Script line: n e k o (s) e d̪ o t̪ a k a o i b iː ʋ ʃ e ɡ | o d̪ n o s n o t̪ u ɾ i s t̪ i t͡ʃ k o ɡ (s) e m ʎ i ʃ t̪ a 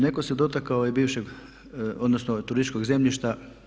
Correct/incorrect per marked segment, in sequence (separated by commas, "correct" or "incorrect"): correct, incorrect